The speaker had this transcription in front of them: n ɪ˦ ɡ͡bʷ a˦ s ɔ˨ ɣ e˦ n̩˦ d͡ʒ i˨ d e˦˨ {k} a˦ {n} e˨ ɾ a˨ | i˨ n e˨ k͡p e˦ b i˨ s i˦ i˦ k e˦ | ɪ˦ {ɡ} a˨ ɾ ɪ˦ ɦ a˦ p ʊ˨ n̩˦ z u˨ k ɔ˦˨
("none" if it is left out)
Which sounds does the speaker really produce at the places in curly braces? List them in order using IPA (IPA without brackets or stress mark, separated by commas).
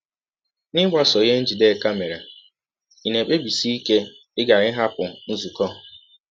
k, m, ɡ